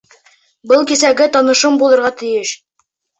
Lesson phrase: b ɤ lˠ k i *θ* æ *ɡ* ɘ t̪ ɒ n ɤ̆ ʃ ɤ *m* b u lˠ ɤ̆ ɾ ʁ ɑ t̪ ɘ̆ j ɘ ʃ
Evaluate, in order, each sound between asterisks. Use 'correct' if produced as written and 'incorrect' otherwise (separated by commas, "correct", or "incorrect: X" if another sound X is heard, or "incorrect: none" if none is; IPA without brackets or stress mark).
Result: incorrect: s, correct, correct